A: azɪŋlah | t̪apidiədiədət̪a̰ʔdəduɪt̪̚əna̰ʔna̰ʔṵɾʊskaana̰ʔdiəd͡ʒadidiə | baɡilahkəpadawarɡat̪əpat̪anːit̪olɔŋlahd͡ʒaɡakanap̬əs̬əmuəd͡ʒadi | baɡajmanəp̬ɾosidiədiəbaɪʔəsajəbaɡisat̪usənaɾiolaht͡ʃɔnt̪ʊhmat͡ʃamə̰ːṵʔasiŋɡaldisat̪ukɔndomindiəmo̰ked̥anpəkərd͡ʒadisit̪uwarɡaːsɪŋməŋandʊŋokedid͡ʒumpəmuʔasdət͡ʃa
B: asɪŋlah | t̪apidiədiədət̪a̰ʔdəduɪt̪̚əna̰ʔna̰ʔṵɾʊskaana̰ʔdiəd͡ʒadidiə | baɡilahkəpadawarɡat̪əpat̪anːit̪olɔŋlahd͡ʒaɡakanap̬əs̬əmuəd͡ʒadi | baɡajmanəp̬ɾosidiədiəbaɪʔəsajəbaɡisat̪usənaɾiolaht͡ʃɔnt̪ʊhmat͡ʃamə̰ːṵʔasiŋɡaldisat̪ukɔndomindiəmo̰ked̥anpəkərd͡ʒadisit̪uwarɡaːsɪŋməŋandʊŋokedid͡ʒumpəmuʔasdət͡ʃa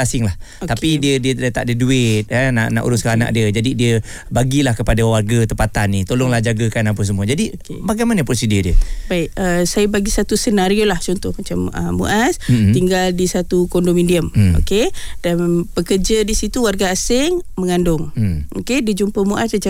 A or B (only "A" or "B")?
B